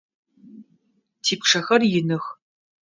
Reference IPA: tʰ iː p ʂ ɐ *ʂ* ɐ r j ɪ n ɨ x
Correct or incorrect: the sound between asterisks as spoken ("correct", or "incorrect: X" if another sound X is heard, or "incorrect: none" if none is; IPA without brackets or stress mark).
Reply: incorrect: x